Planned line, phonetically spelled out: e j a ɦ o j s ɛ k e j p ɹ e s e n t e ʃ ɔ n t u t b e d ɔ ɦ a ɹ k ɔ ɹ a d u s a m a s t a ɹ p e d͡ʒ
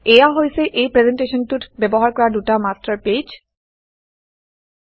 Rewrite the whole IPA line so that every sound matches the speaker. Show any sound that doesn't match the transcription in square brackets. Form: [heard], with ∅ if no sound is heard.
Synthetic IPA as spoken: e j a ɦ o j s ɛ [ʔ] e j p ɹ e [z] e n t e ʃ ɔ n t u t b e [b] ɔ ɦ a ɹ k ɔ ɹ a d u [t] a m a s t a ɹ p e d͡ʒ